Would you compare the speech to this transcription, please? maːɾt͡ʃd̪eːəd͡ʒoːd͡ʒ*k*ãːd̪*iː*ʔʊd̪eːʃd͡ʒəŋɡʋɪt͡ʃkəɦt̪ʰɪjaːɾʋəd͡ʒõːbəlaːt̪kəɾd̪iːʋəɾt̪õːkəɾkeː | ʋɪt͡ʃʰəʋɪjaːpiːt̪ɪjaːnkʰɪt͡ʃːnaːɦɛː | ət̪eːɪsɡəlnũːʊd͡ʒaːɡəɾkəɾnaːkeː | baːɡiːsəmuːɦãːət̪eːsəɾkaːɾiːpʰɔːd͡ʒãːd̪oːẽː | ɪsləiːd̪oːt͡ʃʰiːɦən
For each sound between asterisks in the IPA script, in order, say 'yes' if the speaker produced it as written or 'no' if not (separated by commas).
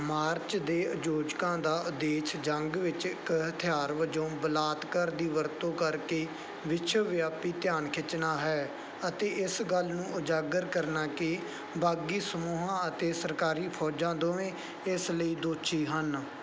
yes, no